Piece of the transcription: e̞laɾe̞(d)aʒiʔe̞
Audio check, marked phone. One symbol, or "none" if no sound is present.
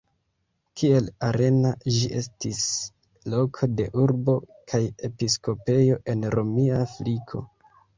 n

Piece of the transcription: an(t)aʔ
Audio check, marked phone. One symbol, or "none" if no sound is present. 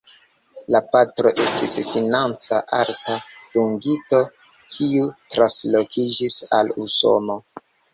t͡s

